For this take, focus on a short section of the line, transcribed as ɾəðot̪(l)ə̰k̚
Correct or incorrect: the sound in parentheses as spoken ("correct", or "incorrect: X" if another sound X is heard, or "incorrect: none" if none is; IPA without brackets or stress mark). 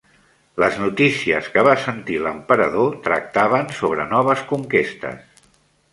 incorrect: ɾ